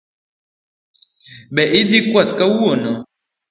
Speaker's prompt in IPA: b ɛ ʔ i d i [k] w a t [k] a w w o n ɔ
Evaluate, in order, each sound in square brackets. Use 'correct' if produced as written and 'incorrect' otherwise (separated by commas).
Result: correct, correct